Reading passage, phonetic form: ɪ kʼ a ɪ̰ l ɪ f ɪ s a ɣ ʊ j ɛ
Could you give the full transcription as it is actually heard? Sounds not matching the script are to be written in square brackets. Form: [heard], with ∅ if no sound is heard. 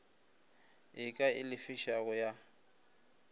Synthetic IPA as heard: ɪ kʼ a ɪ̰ l ɪ f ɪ [ʃ] a ɣ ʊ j [a]